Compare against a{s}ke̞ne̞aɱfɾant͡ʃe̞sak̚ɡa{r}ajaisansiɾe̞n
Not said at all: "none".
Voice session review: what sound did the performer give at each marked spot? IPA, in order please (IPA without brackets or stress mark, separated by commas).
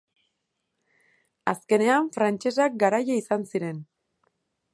s, ɾ